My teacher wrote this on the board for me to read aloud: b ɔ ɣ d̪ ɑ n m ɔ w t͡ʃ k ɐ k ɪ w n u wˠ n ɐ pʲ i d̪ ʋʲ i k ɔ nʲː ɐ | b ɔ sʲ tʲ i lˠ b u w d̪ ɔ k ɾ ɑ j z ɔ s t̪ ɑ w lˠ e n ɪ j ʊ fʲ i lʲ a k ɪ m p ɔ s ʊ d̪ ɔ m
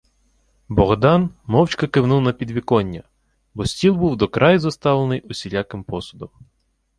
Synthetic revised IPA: b ɔ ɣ d̪ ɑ n m ɔ w t͡ʃ k ɐ k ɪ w n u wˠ n ɐ pʲ i d̪ ʋʲ i k ɔ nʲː ɐ | b ɔ sʲ tʲ i lˠ b u w d̪ ɔ k ɾ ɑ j z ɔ s t̪ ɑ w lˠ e n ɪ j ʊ sʲ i lʲ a k ɪ m p ɔ s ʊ d̪ ɔ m